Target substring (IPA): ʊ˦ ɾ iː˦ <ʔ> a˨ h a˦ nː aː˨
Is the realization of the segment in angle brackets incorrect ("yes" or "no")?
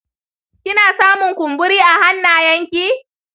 no